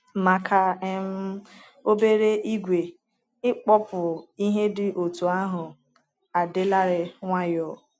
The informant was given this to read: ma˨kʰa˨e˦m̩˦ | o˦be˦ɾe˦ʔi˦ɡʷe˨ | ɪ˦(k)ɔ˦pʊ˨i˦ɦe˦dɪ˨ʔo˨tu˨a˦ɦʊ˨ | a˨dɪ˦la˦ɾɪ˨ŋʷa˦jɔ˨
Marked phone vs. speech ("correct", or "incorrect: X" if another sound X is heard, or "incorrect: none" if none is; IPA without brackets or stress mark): incorrect: k͡p